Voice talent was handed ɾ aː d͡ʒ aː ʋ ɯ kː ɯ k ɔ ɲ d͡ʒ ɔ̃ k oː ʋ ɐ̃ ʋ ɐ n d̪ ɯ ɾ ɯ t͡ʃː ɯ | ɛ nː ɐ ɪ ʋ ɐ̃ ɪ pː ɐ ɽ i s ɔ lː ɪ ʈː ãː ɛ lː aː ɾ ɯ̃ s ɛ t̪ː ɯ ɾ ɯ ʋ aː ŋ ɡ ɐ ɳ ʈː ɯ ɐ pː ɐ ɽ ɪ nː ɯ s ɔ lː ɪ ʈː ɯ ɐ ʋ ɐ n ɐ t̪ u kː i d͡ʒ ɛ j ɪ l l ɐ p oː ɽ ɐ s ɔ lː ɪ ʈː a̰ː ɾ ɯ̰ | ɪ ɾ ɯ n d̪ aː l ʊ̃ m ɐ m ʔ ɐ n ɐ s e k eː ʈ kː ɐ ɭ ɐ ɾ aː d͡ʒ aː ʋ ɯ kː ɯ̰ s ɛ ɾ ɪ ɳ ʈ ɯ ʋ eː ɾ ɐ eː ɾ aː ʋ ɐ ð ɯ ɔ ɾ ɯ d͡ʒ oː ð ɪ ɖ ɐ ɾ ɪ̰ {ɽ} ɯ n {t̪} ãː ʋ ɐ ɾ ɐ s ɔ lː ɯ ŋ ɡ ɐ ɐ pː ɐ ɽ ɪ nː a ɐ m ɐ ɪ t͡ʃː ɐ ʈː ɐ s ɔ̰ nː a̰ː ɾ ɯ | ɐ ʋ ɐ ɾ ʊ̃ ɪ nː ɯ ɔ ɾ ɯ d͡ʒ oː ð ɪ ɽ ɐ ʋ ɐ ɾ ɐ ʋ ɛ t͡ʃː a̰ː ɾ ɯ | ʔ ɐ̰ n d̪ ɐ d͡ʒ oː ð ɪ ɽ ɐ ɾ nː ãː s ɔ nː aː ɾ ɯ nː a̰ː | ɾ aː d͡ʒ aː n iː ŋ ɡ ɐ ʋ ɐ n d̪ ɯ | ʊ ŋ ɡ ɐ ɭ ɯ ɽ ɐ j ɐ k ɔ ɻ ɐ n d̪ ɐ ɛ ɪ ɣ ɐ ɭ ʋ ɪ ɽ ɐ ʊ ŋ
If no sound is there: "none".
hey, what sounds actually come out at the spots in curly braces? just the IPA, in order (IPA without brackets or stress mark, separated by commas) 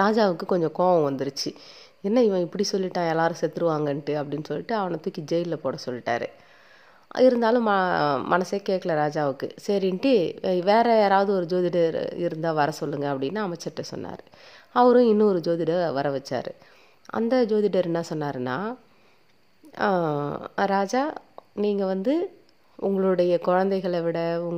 ɾ, d̪